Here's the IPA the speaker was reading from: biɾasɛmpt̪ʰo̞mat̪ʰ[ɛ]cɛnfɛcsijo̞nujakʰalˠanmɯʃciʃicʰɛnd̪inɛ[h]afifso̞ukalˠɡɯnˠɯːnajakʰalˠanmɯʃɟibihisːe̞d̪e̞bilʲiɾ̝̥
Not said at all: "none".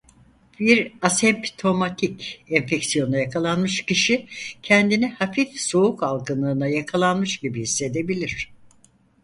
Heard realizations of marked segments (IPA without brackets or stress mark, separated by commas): i, h